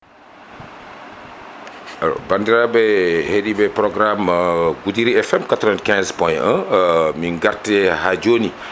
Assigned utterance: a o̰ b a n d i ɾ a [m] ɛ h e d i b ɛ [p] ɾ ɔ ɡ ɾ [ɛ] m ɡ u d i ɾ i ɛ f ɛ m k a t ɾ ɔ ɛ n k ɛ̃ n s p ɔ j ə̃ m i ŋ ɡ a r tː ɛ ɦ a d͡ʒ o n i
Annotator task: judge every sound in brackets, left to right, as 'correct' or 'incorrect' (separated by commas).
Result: incorrect, correct, incorrect